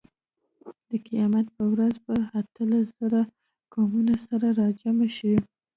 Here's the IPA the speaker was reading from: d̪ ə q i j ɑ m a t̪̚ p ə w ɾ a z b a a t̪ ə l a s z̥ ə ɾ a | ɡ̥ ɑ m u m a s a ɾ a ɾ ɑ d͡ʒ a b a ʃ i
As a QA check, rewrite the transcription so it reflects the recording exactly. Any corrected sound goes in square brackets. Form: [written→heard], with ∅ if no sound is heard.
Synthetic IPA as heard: d̪ ə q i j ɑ m a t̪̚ p ə w ɾ a z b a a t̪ ə l a s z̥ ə ɾ a | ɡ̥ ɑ m u [m→n] a s a ɾ a ɾ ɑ d͡ʒ a [b→m] a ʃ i